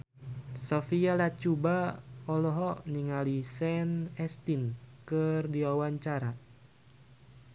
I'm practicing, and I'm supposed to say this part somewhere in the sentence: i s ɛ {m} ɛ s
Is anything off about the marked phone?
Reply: yes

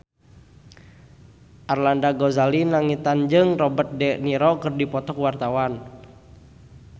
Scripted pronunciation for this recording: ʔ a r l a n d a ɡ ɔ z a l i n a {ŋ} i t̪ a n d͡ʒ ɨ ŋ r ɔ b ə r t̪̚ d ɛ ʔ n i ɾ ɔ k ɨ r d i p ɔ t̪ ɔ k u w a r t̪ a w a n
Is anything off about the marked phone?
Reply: no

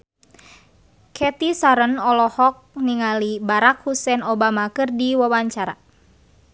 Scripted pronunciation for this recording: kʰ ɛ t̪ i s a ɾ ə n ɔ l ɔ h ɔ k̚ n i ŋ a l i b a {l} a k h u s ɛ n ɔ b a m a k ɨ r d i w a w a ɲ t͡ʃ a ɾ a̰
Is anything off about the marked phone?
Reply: yes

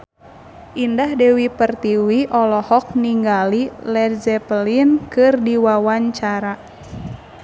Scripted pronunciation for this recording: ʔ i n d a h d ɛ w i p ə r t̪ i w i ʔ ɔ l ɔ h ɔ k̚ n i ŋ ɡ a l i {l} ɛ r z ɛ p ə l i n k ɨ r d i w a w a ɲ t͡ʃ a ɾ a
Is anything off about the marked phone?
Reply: no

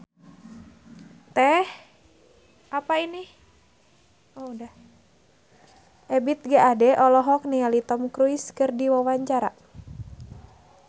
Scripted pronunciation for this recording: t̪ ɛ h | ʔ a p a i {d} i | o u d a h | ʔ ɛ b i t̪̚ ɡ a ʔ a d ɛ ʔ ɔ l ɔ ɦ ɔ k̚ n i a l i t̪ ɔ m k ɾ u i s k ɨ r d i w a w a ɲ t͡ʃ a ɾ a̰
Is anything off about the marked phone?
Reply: yes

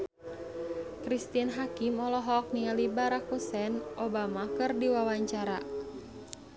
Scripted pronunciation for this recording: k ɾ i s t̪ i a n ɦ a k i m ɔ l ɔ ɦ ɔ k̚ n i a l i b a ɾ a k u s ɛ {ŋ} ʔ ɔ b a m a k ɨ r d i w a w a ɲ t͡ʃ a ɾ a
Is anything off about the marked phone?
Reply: yes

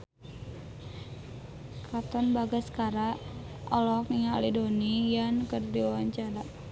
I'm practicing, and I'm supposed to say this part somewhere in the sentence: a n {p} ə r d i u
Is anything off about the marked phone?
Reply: yes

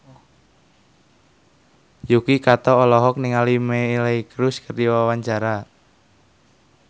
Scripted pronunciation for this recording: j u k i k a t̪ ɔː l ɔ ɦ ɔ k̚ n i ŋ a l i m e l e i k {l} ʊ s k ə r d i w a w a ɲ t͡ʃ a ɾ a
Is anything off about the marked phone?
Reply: yes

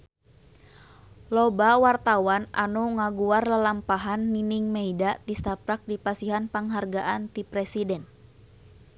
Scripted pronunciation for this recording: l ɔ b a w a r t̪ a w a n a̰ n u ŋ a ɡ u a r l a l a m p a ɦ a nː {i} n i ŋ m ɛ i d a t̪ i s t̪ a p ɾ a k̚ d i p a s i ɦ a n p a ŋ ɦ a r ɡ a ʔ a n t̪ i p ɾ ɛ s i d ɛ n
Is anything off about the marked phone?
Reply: no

